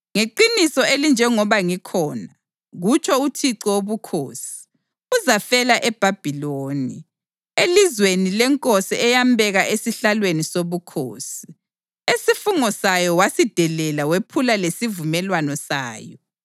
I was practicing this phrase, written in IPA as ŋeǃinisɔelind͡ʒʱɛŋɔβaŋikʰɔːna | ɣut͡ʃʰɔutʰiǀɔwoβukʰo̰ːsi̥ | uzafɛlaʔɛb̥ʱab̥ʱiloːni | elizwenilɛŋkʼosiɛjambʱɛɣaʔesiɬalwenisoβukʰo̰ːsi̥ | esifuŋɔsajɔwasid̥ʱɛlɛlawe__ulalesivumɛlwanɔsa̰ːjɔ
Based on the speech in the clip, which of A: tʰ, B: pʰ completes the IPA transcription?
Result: B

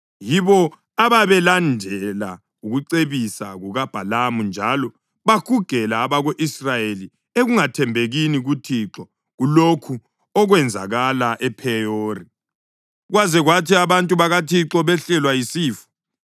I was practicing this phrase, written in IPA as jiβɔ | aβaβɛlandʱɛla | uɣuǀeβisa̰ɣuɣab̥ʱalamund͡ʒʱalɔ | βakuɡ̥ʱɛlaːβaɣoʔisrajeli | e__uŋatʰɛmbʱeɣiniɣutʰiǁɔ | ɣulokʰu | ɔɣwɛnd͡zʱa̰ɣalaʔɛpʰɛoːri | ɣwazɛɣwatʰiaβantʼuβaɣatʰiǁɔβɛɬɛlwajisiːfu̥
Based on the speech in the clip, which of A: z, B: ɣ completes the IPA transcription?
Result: B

